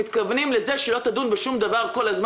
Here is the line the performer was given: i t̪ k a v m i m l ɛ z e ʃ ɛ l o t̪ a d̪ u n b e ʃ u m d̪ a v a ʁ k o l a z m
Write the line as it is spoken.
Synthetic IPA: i t̪ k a v n i m l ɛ z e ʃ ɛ l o t̪ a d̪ u n b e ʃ u m d̪ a v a ʁ k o l a z m